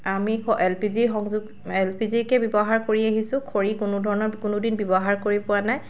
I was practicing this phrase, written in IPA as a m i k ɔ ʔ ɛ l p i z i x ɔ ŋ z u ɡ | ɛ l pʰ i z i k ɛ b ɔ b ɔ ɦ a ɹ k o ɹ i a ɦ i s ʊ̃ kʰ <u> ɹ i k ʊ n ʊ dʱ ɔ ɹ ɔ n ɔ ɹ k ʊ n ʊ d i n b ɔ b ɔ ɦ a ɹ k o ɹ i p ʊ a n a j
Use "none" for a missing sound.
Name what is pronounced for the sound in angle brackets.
o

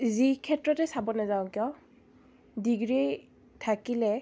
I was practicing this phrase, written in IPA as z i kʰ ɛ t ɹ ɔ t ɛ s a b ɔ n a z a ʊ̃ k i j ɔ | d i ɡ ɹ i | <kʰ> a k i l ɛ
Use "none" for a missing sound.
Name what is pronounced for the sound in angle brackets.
tʰ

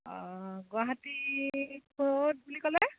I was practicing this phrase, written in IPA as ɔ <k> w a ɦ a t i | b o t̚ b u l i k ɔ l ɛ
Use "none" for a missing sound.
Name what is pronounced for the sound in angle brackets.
ɡ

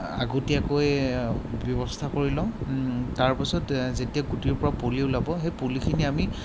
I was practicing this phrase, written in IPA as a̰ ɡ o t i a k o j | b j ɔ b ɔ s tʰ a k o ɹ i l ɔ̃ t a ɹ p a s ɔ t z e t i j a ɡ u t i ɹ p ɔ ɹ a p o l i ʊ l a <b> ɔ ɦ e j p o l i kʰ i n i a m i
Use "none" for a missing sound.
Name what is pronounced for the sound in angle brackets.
b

